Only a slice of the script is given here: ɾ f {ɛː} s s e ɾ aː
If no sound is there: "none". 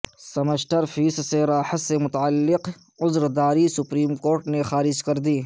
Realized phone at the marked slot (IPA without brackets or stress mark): iː